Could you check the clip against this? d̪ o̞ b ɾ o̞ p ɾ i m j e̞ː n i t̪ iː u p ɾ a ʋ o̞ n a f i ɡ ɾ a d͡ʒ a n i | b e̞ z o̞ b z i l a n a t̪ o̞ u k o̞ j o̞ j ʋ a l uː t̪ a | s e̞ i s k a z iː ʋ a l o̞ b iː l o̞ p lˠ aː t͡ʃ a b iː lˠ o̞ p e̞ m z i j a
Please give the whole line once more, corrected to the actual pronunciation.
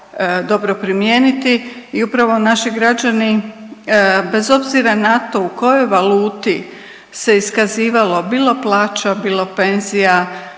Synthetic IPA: d̪ o̞ b ɾ o̞ p ɾ i m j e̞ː n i t̪ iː u p ɾ a ʋ o̞ n a ʃ i ɡ ɾ a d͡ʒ a n i | b e̞ z o̞ b z i ɾ a n a t̪ o̞ u k o̞ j o̞ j ʋ a l uː t̪ i | s e̞ i s k a z iː ʋ a l o̞ b iː l o̞ p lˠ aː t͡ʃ a b iː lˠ o̞ p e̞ n z i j a

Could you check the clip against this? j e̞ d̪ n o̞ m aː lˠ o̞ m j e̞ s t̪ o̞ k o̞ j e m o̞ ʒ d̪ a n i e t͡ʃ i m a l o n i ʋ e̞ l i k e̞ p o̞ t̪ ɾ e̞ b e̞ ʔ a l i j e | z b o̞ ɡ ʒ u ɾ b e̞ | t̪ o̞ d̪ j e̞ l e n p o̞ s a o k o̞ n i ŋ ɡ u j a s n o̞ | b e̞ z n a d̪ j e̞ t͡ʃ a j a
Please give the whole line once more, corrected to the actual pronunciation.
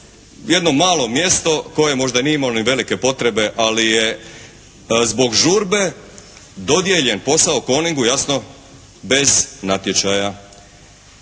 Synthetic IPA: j e̞ d̪ n o̞ m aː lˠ o̞ m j e̞ s t̪ o̞ k o̞ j e m o̞ ʒ d̪ a n i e i m a l o n i ʋ e̞ l i k e̞ p o̞ t̪ ɾ e̞ b e̞ ʔ a l i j e | z b o̞ ɡ ʒ u ɾ b e̞ | d̪ o̞ d̪ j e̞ ʎ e n p o̞ s a o k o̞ n i ŋ ɡ u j a s n o̞ | b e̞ z n a t̪ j e̞ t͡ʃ a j a

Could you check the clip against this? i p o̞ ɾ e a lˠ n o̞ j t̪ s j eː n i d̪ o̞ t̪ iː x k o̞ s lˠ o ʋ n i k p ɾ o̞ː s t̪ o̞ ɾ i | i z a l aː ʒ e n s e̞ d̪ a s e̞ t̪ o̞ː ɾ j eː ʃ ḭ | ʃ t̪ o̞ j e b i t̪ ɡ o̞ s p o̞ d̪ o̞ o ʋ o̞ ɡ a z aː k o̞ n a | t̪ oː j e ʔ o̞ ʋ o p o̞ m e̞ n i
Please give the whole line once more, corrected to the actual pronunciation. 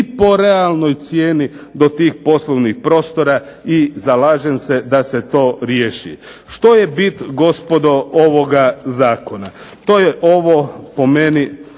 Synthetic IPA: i p o̞ ɾ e a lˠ n o̞ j t̪ s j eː n i d̪ o̞ t̪ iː x p o̞ s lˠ o ʋ n i x p ɾ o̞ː s t̪ o̞ ɾ a | i z a l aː ʒ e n s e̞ d̪ a s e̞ t̪ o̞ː ɾ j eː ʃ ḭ | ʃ t̪ o̞ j e b i t̪ ɡ o̞ s p o̞ d̪ o̞ o ʋ o̞ ɡ a z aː k o̞ n a | t̪ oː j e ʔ o̞ ʋ o p o̞ m e̞ n i

